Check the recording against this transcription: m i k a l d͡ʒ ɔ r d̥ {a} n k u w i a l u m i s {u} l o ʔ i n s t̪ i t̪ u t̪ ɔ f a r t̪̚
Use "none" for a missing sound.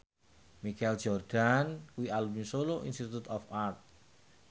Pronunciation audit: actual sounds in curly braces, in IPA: a, o

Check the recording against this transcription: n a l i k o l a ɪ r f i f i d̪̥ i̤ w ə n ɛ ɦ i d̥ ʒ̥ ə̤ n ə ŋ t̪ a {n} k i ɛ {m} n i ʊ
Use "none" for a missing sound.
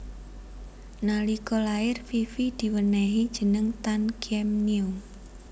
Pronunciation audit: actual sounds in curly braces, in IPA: n, m

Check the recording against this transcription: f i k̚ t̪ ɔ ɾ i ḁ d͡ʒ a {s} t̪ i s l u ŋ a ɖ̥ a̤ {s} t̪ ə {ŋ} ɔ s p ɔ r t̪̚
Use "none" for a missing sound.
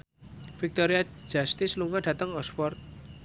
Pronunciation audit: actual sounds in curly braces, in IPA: s, none, ŋ

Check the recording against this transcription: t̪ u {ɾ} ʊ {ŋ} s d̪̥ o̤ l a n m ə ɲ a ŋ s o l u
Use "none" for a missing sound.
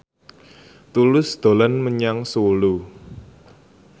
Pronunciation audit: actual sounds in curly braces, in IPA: l, none

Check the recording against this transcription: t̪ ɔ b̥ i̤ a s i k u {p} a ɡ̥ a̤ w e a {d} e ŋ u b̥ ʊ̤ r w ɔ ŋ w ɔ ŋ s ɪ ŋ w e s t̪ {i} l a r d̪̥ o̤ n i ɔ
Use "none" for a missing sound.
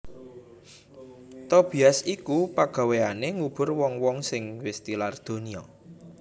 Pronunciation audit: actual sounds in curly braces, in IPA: p, n, i

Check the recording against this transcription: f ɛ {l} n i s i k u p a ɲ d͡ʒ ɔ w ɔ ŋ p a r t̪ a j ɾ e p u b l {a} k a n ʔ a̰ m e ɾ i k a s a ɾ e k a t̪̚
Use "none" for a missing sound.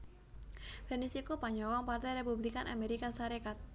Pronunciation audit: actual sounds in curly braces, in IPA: r, i

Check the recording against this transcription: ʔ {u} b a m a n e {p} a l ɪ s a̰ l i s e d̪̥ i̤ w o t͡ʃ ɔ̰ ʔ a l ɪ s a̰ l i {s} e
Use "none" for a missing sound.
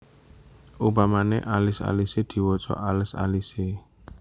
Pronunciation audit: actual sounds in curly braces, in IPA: u, ʔ, s

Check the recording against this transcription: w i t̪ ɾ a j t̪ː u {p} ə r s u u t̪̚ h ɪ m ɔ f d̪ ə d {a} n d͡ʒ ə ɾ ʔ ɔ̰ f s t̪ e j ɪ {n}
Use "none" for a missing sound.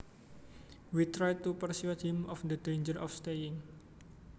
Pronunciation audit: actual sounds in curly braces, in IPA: p, e, ŋ

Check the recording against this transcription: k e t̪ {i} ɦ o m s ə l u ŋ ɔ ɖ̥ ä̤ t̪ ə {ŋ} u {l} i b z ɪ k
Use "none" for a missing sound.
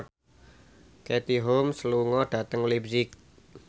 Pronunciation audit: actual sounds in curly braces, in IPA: i, ŋ, l

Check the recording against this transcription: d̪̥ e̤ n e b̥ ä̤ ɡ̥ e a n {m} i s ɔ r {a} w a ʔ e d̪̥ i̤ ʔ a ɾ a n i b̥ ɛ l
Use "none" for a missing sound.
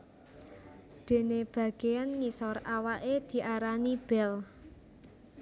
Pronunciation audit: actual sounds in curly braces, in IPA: ŋ, a

